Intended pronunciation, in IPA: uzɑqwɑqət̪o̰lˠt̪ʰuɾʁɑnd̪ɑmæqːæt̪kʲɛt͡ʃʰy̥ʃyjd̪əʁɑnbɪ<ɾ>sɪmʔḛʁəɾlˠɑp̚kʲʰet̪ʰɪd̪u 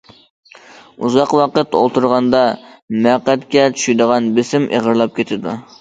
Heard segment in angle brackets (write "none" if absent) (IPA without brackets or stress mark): none